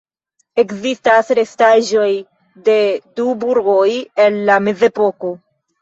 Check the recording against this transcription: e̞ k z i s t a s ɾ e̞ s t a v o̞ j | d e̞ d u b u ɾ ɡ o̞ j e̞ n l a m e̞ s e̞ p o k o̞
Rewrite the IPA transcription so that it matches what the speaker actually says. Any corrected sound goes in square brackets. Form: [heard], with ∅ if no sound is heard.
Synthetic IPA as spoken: e̞ k z i s t a s ɾ e̞ s t a [ʒ] o̞ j | d e̞ d u b u ɾ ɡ o̞ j e̞ n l a m e̞ [z] e̞ p o k o̞